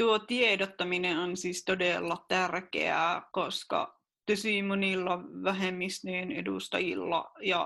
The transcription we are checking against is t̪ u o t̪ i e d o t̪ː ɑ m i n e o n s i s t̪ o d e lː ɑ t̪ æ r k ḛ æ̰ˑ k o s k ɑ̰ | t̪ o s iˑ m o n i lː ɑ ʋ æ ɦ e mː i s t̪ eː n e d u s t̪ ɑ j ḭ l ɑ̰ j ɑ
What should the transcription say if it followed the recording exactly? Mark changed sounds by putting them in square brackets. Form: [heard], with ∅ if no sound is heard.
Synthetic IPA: t̪ u o t̪ i e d o t̪ː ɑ m i n e o n s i s t̪ o d e lː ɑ t̪ æ r k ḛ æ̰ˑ k o s k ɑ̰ | t̪ o s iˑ m o n i lː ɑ ʋ æ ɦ e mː i s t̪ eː n e d u s t̪ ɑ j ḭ [lː] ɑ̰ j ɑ